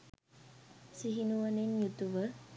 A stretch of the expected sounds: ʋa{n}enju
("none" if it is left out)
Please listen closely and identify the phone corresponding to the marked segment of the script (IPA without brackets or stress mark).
n